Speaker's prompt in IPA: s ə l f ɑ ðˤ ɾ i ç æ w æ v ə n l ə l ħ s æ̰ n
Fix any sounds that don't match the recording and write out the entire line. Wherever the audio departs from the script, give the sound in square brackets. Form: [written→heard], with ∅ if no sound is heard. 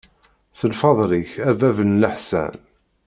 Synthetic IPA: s ə l f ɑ ðˤ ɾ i ç æ [w→v] æ v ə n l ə [l→∅] ħ s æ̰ n